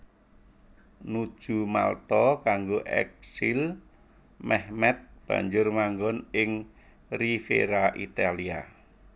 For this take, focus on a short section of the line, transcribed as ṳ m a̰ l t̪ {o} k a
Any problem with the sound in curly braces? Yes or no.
yes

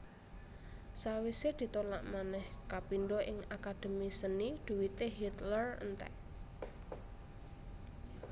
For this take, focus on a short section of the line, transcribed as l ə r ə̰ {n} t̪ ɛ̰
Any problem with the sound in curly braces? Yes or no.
no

